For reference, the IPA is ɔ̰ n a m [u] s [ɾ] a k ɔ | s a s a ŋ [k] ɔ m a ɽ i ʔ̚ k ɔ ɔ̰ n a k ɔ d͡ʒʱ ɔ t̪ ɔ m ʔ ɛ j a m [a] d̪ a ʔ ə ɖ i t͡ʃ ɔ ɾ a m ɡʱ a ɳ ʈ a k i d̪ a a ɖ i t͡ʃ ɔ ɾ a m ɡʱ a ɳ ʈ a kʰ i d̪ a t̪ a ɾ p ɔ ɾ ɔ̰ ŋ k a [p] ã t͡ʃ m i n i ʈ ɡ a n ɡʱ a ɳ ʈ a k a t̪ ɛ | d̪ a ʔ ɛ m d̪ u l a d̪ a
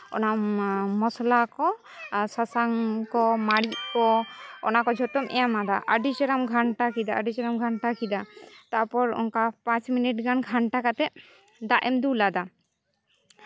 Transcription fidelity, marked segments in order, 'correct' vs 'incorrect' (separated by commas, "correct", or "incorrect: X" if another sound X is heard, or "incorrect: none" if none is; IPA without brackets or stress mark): incorrect: ɔ, incorrect: l, correct, correct, correct